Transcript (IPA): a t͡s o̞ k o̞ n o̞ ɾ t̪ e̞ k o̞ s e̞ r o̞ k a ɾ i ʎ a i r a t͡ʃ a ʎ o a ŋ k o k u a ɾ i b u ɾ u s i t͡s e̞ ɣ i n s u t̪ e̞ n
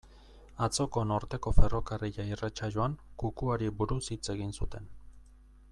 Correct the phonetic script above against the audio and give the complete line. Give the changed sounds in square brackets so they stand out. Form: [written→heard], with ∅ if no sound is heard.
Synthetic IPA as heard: a t͡s o̞ k o̞ n o̞ ɾ t̪ e̞ k o̞ [s→f] e̞ r o̞ k a [ɾ→r] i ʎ a i r a t͡ʃ a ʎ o a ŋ k [o→u] k u a ɾ i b u ɾ u s i t͡s e̞ ɣ i n s u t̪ e̞ n

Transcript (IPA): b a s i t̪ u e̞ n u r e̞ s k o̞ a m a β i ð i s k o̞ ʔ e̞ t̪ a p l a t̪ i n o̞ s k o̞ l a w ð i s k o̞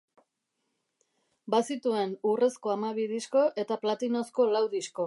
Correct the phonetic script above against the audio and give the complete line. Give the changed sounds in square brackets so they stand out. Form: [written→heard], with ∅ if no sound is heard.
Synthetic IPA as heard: b a s i t̪ u e̞ n u r e̞ s k o̞ a m a β i ð i s k o̞ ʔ e̞ t̪ a p l a t̪ i n o̞ s k o̞ l a w ð i s k o̞

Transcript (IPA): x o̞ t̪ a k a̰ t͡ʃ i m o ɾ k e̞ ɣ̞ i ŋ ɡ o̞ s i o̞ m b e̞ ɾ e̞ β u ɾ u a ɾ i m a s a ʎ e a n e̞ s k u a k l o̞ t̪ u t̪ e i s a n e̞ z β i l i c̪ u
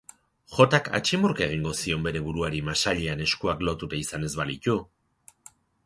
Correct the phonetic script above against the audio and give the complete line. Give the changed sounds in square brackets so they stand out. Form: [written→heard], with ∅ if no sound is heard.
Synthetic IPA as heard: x o̞ t̪ a k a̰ t͡ʃ i m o ɾ k e̞ ɣ̞ i ŋ ɡ o̞ s i o̞ m b e̞ ɾ e̞ β u ɾ u a ɾ i m a s a ʎ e a n e̞ s k u a k l o̞ t̪ u t̪ [e→a] i s a n e̞ z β [i→a] l i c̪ u

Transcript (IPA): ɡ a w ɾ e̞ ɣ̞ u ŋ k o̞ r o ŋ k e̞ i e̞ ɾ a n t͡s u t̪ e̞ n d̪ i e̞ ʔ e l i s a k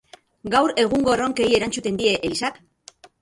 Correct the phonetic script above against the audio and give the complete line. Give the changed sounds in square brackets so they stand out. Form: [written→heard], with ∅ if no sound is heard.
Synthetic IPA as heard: ɡ a w ɾ e̞ ɣ̞ u ŋ [k→ɡ] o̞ r o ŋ k e̞ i e̞ ɾ a n t͡s u t̪ e̞ n d̪ i e̞ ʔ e l i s a k

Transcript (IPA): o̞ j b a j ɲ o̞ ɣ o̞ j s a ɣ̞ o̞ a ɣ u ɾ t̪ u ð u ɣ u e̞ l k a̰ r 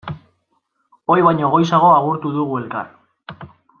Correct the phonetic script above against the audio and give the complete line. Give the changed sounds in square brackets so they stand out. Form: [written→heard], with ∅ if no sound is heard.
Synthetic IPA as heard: o̞ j [b→β] a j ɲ o̞ ɣ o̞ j s a ɣ̞ o̞ a ɣ u ɾ t̪ u ð u ɣ u e̞ l k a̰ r

